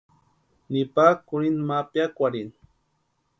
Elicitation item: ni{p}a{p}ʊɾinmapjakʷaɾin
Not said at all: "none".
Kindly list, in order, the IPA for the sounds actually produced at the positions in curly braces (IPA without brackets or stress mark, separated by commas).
p, k